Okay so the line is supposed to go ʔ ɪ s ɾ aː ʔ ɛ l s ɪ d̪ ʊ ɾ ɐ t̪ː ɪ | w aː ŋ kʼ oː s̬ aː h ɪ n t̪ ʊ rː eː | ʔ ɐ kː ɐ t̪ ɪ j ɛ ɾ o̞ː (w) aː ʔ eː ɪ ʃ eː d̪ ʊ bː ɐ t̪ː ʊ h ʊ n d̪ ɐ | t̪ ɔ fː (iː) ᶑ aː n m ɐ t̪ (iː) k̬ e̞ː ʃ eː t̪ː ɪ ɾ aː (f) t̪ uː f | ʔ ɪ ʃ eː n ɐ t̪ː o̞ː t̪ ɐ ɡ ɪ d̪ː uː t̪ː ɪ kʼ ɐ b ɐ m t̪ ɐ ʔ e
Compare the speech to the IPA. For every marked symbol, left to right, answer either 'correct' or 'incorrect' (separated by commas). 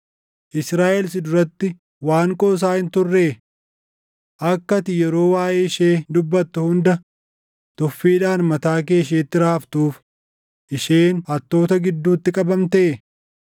correct, correct, incorrect, correct